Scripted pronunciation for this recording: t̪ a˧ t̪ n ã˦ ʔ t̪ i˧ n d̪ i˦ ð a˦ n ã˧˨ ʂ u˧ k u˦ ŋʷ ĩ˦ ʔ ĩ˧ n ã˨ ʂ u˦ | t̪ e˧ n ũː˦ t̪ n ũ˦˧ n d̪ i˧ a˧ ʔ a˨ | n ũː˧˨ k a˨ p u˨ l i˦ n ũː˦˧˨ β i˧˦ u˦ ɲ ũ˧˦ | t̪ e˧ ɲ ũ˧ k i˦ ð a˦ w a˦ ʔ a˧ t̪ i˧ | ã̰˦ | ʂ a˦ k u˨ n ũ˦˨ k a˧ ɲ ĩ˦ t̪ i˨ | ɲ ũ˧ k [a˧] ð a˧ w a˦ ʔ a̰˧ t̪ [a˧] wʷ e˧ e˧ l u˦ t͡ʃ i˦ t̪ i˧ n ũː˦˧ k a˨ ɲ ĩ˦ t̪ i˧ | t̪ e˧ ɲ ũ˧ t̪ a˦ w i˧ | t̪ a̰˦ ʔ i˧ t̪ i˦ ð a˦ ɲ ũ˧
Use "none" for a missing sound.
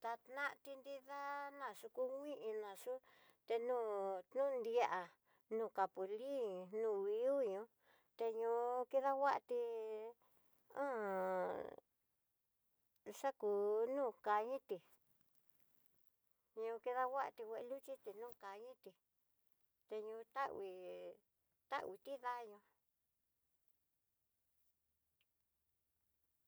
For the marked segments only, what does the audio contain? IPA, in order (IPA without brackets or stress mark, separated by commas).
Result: i˧, i˧